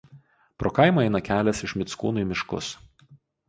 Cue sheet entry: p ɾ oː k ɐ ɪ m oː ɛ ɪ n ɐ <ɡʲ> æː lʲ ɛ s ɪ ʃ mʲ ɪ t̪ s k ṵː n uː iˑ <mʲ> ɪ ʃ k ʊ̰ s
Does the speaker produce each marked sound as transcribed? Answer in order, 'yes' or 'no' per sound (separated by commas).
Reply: no, yes